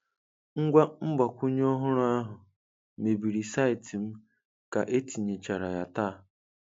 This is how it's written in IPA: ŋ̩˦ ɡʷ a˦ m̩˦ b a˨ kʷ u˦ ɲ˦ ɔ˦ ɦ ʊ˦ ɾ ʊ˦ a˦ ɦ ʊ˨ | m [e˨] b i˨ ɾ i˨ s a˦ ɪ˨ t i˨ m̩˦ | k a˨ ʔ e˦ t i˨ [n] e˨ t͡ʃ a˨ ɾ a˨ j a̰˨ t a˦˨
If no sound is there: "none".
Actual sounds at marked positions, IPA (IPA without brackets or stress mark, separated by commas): e˨, ɲ